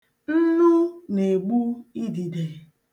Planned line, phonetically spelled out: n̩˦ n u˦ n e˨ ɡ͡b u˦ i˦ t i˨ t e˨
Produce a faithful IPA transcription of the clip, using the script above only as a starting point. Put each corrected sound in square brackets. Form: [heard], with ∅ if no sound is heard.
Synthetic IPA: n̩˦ n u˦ n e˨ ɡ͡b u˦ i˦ [d] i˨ [d] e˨